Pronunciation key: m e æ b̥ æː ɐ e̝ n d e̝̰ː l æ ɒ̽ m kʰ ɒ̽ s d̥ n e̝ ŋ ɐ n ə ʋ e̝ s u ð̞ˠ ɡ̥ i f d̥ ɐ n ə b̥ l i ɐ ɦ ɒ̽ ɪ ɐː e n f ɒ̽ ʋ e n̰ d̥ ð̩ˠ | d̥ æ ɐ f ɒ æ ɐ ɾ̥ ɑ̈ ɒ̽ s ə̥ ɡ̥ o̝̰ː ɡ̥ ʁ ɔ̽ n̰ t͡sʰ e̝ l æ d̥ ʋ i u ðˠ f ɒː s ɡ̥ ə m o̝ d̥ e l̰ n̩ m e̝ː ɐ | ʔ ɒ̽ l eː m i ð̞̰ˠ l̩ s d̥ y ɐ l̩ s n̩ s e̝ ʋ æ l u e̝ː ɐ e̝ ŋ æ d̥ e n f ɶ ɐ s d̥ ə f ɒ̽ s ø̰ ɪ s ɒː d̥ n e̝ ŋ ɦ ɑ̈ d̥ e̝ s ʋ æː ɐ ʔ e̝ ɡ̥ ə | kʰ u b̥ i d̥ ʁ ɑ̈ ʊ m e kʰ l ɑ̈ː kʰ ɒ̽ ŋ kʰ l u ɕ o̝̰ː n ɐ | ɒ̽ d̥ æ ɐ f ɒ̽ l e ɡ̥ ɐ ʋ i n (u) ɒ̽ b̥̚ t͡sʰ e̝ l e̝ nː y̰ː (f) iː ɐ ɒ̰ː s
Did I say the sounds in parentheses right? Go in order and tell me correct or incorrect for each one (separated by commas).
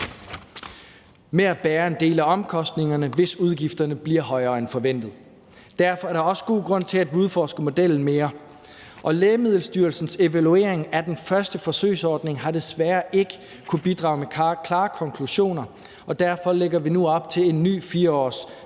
correct, correct